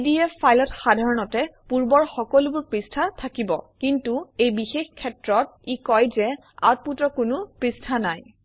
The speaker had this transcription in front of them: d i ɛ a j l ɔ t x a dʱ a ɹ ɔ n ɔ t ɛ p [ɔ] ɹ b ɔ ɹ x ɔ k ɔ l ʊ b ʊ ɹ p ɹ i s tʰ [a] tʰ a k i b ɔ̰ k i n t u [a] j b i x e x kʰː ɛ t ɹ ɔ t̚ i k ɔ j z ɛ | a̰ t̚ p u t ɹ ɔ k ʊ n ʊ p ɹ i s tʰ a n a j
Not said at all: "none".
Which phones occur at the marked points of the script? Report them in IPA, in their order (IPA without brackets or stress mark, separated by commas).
u, a, e